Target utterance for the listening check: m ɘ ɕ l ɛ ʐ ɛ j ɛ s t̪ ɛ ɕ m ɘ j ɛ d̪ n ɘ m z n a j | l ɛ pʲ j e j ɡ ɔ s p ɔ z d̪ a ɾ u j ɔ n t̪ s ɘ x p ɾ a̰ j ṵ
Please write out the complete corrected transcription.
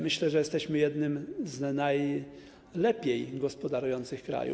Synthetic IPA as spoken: m ɘ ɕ l ɛ ʐ ɛ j ɛ s t̪ ɛ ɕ m ɘ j ɛ d̪ n ɘ m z n a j | l ɛ pʲ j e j ɡ ɔ s p ɔ d̪ a ɾ u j ɔ n t̪ s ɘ x k ɾ a̰ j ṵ